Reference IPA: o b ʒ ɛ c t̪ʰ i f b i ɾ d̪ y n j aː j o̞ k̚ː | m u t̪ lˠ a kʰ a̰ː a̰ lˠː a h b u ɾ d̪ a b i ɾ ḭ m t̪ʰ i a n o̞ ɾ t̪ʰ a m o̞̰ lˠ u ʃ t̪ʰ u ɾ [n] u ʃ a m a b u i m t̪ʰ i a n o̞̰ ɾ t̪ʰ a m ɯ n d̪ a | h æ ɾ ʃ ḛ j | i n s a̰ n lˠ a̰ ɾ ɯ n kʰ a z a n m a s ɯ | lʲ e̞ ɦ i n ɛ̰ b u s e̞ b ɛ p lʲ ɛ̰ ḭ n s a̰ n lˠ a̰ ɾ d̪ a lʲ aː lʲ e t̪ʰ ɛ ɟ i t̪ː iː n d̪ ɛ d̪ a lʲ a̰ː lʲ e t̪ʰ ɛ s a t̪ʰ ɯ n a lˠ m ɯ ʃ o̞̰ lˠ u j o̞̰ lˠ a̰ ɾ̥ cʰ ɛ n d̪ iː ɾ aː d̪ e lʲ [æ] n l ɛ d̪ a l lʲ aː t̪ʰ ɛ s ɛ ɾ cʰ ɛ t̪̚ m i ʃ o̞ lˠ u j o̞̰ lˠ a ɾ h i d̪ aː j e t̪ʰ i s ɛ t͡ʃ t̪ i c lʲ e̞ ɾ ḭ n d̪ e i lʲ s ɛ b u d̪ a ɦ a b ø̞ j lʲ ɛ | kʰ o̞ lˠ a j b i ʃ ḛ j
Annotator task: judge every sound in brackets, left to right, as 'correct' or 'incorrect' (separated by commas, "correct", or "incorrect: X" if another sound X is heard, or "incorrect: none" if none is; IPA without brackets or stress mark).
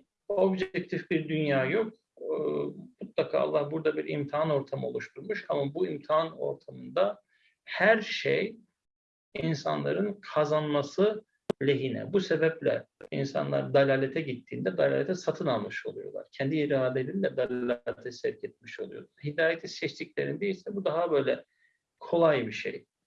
incorrect: m, incorrect: i